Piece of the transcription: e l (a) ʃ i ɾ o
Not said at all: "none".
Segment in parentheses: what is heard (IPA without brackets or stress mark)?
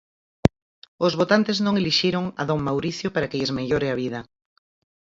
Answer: i